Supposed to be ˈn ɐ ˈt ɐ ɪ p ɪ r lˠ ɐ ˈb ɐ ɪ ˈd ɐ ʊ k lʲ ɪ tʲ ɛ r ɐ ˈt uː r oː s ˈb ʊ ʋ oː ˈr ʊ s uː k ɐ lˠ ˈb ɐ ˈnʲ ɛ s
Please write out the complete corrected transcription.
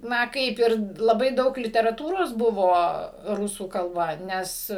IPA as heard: ˈn ɐ ˈk ɐ ɪ p ɪ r lˠ ɐ ˈb ɐ ɪ ˈd ɐ ʊ k lʲ ɪ tʲ ɛ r ɐ ˈt uː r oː s ˈb ʊ ʋ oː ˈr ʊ s uː k ɐ lˠ ˈb ɐ ˈnʲ ɛ s